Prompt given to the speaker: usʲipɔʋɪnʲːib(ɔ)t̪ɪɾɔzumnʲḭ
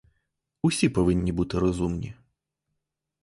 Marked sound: incorrect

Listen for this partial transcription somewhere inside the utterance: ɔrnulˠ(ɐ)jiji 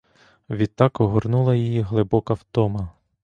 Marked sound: correct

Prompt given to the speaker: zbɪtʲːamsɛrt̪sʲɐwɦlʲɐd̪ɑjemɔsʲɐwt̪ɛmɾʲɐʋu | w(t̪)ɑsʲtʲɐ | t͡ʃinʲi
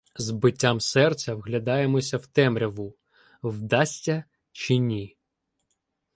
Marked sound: incorrect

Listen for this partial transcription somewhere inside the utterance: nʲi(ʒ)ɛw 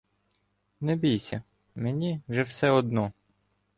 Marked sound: correct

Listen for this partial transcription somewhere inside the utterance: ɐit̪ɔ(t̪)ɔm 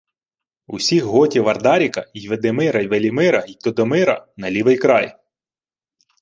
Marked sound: incorrect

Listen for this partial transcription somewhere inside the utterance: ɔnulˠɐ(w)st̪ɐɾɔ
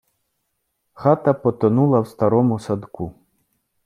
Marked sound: correct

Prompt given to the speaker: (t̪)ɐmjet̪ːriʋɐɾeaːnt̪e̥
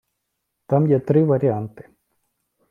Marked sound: correct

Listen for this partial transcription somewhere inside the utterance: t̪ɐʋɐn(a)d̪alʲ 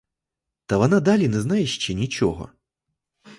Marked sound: correct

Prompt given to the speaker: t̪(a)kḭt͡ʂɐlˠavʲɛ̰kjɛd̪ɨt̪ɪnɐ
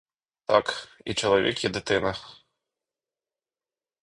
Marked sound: correct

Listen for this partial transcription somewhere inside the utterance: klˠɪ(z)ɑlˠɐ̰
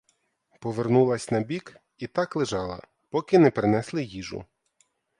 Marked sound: incorrect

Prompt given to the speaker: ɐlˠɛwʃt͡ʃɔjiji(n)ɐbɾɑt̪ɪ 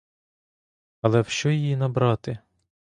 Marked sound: correct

